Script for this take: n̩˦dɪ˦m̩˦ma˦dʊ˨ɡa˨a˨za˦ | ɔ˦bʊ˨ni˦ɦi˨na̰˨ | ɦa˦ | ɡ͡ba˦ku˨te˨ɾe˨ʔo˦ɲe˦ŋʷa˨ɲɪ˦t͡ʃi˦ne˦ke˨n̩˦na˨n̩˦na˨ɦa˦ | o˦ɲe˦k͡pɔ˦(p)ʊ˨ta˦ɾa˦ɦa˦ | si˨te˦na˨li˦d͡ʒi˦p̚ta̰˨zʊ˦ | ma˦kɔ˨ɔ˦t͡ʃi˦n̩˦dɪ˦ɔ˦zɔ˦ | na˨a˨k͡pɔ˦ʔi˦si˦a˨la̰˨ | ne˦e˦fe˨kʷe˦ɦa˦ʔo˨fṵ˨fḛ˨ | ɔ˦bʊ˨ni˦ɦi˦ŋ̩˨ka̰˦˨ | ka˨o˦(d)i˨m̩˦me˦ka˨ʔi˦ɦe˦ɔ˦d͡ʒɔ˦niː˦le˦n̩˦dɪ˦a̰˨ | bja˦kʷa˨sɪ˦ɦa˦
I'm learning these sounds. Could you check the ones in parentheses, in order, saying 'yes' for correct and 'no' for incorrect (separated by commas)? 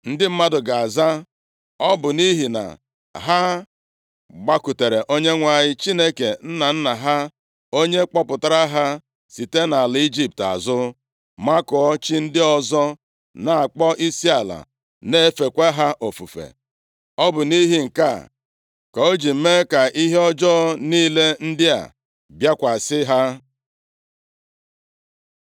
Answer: yes, no